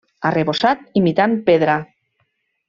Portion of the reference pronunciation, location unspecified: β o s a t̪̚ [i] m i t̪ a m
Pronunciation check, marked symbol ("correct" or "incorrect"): correct